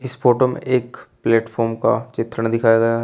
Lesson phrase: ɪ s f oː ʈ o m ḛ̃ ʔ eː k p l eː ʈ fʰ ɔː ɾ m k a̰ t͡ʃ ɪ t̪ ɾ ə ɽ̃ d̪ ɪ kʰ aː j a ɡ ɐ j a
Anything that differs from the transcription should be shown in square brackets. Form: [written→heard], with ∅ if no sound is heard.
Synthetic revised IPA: ɪ s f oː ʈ o m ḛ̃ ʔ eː k p l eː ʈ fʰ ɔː ɾ m k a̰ t͡ʃ ɪ t̪ ɾ ə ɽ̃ d̪ ɪ kʰ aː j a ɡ ɐ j a